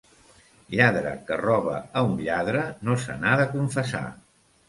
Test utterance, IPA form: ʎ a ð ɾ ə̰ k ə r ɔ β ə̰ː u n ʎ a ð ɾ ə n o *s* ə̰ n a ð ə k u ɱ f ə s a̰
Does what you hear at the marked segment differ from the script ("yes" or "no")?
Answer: no